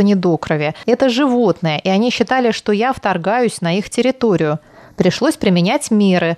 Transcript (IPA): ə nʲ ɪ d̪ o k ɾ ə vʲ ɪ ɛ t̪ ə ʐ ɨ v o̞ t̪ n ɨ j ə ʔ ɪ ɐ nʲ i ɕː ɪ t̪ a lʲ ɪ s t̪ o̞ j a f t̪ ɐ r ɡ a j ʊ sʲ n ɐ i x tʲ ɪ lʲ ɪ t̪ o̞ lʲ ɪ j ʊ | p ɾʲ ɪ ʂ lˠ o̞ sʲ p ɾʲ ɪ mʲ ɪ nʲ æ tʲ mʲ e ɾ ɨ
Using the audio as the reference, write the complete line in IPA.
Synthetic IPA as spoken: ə nʲ ɪ d̪ o k ɾ ə vʲ ɪ ɛ t̪ ə ʐ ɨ v o̞ t̪ n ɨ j ə ʔ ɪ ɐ nʲ i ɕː ɪ t̪ a lʲ ɪ ʂ t̪ o̞ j a f t̪ ɐ r ɡ a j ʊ sʲ n ɐ i x tʲ ɪ ɾʲ ɪ t̪ o̞ ɾʲ ɪ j ʊ | p ɾʲ ɪ ʂ lˠ o̞ sʲ p ɾʲ ɪ mʲ ɪ nʲ æ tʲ mʲ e ɾ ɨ